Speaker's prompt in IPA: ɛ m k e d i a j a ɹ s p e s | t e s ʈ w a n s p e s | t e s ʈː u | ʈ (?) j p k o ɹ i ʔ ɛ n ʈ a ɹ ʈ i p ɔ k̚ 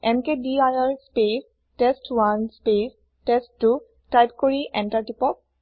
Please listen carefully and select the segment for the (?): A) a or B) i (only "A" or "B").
A